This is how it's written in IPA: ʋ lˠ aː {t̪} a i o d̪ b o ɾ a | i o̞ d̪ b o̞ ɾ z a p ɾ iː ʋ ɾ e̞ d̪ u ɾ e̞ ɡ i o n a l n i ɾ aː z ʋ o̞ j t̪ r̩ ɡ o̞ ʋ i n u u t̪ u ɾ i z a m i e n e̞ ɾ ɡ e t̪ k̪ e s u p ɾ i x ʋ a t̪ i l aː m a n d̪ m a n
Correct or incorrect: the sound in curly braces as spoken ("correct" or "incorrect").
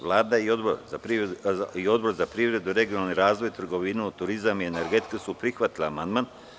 incorrect